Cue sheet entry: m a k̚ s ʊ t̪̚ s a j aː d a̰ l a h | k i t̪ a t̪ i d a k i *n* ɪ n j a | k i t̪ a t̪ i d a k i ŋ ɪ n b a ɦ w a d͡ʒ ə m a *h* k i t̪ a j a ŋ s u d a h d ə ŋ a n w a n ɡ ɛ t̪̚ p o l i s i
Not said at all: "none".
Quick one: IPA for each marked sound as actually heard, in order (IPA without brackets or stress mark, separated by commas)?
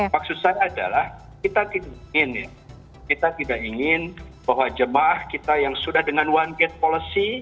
ŋ, h